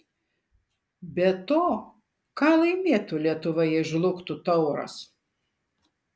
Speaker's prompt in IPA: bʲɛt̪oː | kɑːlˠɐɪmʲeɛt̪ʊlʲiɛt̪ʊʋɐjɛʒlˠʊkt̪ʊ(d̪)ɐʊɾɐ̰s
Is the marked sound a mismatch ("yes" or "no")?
yes